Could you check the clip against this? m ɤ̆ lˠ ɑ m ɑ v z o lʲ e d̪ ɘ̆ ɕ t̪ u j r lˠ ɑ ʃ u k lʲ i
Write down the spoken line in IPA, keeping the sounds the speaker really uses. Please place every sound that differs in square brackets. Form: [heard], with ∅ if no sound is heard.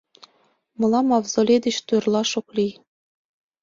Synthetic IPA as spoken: m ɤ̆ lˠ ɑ m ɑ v z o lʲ e d̪ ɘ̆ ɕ t̪ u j r lˠ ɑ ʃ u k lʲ i